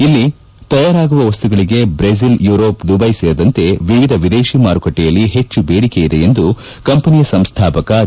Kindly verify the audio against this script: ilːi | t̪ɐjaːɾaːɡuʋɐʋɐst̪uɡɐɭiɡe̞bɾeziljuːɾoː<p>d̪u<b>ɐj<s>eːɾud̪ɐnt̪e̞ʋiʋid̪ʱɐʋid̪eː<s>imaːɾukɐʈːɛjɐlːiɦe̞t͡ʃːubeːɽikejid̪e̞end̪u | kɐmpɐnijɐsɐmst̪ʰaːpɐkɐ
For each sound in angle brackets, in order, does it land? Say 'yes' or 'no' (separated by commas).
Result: yes, yes, yes, no